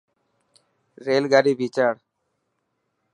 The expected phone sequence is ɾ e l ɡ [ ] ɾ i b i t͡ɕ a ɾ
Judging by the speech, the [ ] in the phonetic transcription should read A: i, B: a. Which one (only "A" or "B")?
B